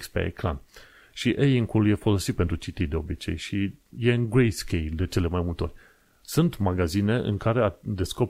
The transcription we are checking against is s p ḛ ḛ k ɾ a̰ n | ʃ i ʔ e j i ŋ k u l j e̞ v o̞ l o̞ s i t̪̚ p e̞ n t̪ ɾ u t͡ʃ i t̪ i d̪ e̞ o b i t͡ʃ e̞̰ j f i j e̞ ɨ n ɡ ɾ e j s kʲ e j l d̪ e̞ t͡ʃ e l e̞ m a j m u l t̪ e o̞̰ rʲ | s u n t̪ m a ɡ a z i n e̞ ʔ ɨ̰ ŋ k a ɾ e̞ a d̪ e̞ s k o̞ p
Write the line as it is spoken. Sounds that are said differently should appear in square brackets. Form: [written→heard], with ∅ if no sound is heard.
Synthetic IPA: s p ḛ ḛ k ɾ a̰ n | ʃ i ʔ e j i ŋ k u l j e̞ [v→f] o̞ l o̞ s i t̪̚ p e̞ n t̪ ɾ u t͡ʃ i t̪ i d̪ e̞ o b i t͡ʃ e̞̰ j [f→ʃ] i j e̞ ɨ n ɡ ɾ e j s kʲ e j l d̪ e̞ t͡ʃ e l e̞ m a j m u l t̪ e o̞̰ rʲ | s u n t̪ m a ɡ a z i n e̞ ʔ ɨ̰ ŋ k a ɾ e̞ a d̪ e̞ s k o̞ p